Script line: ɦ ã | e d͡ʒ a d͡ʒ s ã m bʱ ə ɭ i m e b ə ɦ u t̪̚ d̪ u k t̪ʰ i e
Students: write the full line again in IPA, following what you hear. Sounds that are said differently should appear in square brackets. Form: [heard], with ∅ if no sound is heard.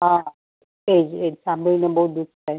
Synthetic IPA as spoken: ɦ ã | e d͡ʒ [e] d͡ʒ s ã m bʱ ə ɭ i [n] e b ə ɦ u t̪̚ d̪ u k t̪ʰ [a] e